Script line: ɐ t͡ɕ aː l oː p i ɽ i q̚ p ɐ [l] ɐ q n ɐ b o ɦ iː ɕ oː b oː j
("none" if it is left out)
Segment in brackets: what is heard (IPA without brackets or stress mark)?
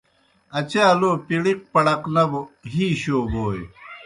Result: ɽ